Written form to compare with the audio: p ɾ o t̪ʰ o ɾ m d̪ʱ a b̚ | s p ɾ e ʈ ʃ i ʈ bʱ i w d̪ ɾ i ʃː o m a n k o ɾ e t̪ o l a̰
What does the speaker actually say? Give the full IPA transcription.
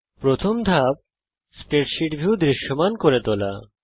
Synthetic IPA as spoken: p ɾ o t̪ʰ o m d̪ʱ a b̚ | s p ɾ e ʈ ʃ i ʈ bʱ i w d̪ ɾ i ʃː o m a n k o ɾ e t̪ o l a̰